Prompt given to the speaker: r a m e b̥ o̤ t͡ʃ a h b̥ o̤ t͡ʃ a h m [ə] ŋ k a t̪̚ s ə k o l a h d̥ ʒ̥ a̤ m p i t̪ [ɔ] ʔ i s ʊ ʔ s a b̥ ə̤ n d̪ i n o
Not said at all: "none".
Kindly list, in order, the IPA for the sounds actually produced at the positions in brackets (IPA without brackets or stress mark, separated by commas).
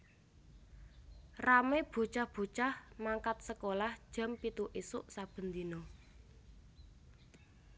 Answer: a, u